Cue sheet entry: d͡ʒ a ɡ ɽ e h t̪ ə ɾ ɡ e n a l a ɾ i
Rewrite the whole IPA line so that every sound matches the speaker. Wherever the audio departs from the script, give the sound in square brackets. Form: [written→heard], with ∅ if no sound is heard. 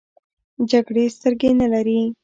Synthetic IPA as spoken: d͡ʒ a ɡ ɽ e [h→s] t̪ ə ɾ ɡ e n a l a ɾ i